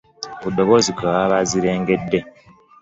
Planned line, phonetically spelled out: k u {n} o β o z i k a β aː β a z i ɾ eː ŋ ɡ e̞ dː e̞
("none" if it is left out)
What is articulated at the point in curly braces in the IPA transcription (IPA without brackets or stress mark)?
d